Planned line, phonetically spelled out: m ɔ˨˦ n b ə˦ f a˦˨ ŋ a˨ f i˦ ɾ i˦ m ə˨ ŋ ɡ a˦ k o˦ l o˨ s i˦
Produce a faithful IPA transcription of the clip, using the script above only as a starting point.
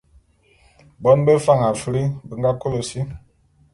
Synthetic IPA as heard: b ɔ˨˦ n b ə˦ f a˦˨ ŋ a˨ f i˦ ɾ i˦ b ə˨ ŋ ɡ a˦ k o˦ l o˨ s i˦